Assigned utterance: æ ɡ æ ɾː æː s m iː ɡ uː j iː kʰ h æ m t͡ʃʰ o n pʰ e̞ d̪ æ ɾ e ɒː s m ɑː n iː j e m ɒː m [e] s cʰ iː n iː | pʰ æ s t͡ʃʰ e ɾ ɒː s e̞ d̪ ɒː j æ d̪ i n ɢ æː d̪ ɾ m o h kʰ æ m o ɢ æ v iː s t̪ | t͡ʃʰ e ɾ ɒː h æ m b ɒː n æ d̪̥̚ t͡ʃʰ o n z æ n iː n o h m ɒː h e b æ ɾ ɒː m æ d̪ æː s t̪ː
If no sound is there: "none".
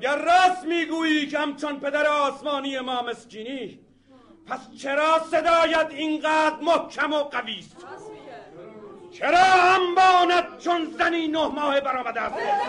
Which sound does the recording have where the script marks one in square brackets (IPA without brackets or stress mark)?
e